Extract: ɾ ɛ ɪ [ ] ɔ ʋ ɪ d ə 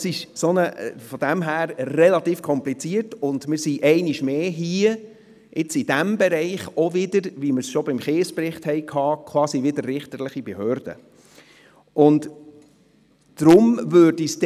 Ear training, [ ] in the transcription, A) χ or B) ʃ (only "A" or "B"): A